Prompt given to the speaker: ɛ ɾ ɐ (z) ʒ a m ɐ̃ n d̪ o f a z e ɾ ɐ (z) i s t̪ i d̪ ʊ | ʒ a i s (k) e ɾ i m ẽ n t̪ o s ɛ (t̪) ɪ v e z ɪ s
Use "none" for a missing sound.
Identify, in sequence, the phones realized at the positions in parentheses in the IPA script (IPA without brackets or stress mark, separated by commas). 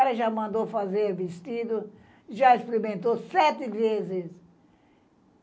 none, v, p, t̪